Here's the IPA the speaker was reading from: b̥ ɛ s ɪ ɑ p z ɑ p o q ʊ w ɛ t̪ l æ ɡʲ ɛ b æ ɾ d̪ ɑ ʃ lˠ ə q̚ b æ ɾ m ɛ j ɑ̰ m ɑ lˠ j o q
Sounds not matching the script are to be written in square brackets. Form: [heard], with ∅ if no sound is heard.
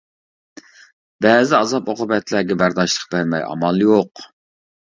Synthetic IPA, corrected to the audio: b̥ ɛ [z] ɪ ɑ [∅] z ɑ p o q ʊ [b] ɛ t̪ l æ ɡʲ ɛ b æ ɾ d̪ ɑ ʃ lˠ ə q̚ b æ ɾ m ɛ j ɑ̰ m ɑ lˠ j o q

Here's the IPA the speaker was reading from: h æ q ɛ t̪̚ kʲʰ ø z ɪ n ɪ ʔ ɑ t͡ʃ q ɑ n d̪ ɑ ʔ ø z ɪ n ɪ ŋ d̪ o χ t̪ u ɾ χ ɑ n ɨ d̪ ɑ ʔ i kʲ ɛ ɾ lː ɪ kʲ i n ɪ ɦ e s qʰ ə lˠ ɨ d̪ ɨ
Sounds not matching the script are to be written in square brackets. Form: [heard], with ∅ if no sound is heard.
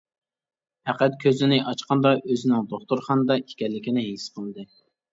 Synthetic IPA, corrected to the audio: h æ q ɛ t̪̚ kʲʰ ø z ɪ n ɪ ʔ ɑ t͡ʃ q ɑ n d̪ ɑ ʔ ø z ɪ n ɪ ŋ d̪ o χ t̪ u ɾ χ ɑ n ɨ d̪ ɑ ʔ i kʲ ɛ [∅] lː ɪ kʲ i n ɪ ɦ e s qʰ ə lˠ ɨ d̪ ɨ

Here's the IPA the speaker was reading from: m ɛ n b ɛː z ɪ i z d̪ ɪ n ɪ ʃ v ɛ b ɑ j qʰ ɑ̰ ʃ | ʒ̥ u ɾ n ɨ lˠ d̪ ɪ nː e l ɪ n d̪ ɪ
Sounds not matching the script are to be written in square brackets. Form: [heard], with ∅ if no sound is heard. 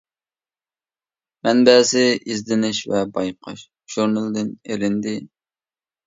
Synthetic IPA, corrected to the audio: m ɛ n b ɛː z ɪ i z d̪ ɪ n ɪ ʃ v ɛ b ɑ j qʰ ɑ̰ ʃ | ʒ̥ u ɾ n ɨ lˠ d̪ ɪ [n] e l ɪ n d̪ ɪ

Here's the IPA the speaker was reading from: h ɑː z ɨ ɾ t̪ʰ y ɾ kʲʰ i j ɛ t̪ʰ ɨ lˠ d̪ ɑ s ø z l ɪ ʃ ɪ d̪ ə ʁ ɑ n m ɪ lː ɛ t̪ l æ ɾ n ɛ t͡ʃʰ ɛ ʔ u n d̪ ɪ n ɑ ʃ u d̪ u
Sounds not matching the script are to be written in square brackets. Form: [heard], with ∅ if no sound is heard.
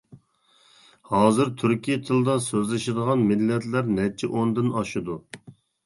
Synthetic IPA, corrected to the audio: h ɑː z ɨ ɾ t̪ʰ y ɾ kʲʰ i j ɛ t̪ʰ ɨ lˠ d̪ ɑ s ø z l ɪ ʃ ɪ d̪ ə ʁ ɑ n m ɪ lː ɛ t̪ l æ ɾ n ɛ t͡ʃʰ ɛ ʔ [o] n d̪ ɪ n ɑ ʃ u d̪ u

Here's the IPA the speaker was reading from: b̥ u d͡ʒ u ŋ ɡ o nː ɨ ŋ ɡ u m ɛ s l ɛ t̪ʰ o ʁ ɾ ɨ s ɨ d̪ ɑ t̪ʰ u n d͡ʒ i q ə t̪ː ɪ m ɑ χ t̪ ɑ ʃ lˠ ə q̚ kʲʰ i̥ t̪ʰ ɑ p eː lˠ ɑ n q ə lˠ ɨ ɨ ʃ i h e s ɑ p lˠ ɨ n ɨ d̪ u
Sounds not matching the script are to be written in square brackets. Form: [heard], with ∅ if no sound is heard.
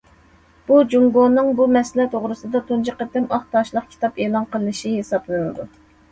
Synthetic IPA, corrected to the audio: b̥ u d͡ʒ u ŋ ɡ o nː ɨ ŋ [b] u m ɛ s l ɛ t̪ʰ o ʁ ɾ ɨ s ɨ d̪ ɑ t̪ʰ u n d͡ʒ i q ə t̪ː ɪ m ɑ χ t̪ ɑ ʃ lˠ ə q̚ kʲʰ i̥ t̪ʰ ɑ p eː lˠ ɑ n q ə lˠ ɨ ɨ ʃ i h e s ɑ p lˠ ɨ n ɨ d̪ u

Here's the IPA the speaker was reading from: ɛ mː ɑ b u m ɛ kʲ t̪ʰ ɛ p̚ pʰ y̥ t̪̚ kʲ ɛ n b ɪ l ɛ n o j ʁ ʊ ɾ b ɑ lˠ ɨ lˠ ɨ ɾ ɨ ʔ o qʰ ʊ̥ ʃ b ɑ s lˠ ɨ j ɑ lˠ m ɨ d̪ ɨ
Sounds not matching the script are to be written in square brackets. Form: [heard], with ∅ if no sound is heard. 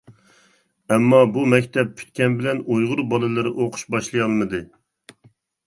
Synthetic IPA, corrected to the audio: ɛ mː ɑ b u m ɛ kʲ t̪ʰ ɛ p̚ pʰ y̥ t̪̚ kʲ ɛ n b ɪ l ɛ n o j ʁ ʊ ɾ b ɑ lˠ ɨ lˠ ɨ ɾ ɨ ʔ o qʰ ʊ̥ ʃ b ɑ [ʃ] lˠ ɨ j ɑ lˠ m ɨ d̪ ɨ

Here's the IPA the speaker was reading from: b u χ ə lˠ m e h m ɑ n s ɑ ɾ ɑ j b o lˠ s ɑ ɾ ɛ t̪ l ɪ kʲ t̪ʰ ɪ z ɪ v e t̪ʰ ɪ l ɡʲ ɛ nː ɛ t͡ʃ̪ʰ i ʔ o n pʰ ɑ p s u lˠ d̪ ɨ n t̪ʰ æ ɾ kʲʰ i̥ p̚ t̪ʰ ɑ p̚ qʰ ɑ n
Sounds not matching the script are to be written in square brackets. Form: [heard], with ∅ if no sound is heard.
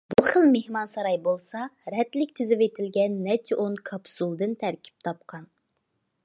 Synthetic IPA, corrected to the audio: b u χ ə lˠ m e h m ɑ n s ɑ ɾ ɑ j b o lˠ s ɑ ɾ ɛ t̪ l ɪ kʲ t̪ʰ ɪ z ɪ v e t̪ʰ ɪ l ɡʲ ɛ nː ɛ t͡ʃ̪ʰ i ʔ o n [kʰ] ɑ p s u lˠ d̪ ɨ n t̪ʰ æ ɾ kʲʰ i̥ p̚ t̪ʰ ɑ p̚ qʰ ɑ n

